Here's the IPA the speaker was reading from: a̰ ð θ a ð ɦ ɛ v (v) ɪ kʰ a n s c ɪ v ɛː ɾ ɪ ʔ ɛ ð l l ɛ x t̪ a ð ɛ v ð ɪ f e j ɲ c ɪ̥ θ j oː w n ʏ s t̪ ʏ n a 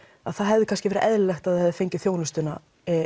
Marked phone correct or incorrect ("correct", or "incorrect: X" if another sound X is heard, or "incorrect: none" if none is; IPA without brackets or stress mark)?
incorrect: ð